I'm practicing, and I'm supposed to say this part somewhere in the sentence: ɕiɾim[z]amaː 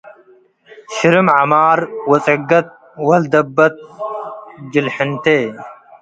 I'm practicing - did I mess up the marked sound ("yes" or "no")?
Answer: yes